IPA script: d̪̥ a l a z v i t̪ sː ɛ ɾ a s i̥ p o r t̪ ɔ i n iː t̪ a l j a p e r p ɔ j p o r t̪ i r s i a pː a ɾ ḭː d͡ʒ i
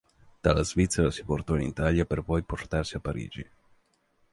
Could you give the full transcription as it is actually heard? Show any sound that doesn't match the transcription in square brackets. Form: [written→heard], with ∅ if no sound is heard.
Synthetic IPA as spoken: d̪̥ a l a z v i t̪ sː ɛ ɾ a s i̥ p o r t̪ ɔ i n [iː→i] t̪ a l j a p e r p ɔ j p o r t̪ [i→a] r s i a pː a ɾ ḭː d͡ʒ i